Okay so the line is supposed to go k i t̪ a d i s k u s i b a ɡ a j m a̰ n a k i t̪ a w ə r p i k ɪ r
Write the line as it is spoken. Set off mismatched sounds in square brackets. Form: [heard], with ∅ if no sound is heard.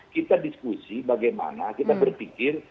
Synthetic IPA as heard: k i t̪ a d i s k u s i b a ɡ a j m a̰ n a k i t̪ a [b] ə r p i k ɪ r